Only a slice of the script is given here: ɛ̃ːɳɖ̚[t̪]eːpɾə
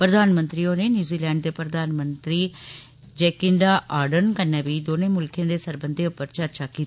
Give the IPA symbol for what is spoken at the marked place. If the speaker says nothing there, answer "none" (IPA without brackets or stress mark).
d̪